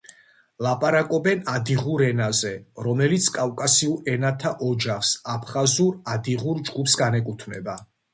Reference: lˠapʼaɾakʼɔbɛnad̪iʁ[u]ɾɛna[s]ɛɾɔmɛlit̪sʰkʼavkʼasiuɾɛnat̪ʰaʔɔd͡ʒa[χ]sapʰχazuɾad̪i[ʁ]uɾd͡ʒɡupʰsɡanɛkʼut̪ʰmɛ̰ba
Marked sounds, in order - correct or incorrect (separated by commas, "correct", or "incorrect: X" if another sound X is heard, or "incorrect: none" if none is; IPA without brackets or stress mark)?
correct, incorrect: z, correct, correct